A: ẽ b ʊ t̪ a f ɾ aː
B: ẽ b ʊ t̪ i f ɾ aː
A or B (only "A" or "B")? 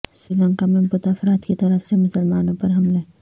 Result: A